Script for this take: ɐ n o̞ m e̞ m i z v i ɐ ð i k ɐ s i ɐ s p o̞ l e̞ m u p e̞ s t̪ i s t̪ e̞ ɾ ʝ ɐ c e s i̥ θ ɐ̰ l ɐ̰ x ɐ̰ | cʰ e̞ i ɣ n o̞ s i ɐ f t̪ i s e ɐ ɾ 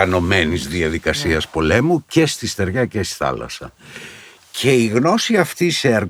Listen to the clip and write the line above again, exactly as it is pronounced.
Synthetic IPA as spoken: ɐ n o̞ m e̞ n i z ð i ɐ ð i k ɐ s i ɐ s p o̞ l e̞ m u c e̞ s t̪ i s t̪ e̞ ɾ ʝ ɐ c e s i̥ θ ɐ̰ l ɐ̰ s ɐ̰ | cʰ e̞ i ɣ n o̞ s i ɐ f t̪ i s e ɐ ɾ